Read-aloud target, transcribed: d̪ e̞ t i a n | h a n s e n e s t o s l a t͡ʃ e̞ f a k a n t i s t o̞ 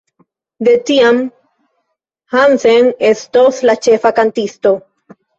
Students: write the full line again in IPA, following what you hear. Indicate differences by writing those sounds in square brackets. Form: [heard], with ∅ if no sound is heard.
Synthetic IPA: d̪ e̞ t i a [m] | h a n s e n e s t o s l a t͡ʃ e̞ f a k a n t i s t o̞